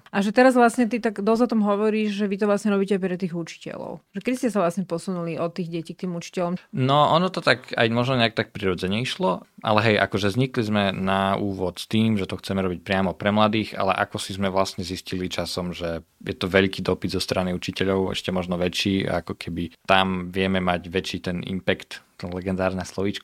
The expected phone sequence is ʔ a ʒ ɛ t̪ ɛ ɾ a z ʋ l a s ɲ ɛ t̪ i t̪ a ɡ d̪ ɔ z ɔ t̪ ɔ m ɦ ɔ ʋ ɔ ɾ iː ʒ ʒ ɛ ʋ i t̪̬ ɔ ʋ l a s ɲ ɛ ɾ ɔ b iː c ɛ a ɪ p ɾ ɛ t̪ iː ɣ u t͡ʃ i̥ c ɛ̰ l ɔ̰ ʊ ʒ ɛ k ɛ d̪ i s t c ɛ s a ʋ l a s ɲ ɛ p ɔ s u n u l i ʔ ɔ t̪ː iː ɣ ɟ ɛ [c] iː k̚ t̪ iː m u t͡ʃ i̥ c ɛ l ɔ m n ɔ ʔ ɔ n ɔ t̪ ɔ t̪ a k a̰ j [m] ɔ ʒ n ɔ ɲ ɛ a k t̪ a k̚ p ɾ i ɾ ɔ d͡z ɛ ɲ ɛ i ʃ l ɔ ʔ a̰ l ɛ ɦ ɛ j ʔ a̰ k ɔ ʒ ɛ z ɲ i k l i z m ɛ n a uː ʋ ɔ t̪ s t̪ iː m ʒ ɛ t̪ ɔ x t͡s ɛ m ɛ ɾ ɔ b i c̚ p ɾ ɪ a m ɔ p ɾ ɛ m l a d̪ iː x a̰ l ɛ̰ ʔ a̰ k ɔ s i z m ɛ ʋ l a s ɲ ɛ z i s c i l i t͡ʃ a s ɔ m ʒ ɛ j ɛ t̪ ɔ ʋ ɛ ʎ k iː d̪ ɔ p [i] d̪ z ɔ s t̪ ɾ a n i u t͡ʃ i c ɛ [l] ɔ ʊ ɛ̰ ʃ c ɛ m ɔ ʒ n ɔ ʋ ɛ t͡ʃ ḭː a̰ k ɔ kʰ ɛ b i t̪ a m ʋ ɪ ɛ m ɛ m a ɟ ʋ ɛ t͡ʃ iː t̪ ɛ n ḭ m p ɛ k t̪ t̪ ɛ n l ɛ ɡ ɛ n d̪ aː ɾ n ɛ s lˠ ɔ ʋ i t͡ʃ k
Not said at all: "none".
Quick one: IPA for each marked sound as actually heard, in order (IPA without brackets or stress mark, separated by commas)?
c, m, i, ʎ